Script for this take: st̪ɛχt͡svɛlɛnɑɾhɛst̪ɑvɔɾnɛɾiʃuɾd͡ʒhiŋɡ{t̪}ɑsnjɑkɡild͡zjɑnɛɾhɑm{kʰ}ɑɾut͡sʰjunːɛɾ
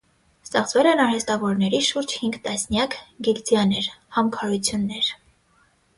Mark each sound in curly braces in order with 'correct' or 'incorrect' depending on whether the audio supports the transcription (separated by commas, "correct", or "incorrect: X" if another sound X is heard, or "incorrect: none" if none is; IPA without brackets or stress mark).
correct, correct